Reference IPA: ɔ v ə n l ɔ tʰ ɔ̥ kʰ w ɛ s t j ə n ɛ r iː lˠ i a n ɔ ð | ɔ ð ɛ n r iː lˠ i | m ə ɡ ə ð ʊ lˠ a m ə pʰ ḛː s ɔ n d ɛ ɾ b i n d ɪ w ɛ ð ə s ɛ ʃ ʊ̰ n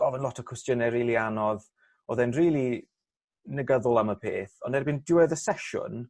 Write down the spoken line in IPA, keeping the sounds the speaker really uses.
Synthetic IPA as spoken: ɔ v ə n l ɔ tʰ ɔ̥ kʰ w ɛ s t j ə n ɛ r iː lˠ i a n ɔ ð | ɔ ð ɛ n r iː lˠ i | n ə ɡ ə ð ʊ lˠ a m ə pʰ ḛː θ ɔ n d ɛ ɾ b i n d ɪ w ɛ ð ə s ɛ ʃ ʊ̰ n